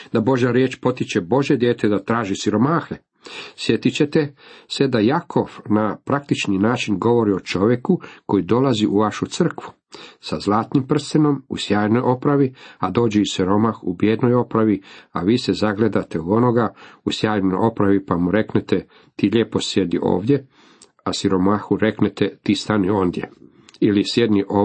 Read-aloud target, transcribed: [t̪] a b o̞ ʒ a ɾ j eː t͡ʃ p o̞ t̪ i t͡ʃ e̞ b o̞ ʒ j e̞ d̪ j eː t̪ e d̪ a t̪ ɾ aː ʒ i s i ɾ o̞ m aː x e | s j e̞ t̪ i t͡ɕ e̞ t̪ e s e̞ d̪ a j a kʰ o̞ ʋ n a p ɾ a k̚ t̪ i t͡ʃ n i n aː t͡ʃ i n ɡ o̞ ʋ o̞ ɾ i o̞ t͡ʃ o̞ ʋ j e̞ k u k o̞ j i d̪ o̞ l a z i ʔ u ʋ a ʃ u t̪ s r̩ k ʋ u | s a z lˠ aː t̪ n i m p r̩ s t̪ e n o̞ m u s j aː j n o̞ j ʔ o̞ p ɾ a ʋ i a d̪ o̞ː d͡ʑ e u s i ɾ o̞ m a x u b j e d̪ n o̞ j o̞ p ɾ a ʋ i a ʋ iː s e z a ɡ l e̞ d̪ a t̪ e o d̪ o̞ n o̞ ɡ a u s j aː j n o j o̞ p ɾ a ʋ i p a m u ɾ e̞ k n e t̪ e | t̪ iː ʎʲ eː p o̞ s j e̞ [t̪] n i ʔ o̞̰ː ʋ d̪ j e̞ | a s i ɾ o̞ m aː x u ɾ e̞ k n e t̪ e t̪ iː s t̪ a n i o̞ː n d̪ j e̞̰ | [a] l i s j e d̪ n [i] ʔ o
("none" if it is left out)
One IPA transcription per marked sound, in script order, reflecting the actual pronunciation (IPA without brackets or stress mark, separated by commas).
d̪, d̪, i, i